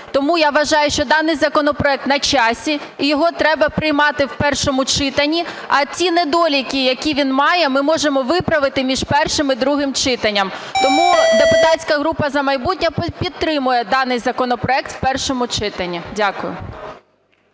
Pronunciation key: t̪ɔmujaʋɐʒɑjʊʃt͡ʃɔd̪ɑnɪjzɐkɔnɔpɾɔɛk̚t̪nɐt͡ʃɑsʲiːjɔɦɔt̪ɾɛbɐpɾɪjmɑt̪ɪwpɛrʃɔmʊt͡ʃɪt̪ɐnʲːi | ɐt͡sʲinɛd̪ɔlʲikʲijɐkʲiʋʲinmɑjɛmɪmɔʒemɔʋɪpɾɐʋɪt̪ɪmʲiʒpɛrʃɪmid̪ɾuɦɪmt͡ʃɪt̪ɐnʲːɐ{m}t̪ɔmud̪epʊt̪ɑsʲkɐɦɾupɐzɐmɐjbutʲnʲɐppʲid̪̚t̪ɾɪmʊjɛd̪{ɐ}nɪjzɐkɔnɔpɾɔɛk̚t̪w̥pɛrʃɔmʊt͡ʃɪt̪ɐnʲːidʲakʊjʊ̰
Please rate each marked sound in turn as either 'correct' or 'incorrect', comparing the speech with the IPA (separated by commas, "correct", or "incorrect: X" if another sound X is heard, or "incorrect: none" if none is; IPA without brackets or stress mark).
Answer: correct, incorrect: ɑ